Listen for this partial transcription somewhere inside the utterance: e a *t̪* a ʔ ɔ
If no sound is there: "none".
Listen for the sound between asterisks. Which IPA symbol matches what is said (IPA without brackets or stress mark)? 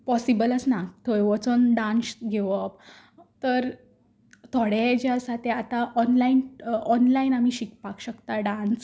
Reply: t̪